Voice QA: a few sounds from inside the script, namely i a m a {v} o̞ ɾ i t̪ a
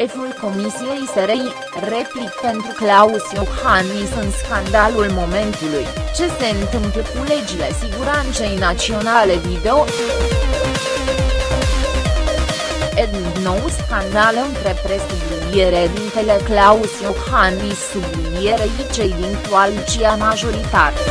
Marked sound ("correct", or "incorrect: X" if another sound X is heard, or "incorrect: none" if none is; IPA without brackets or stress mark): incorrect: ʒ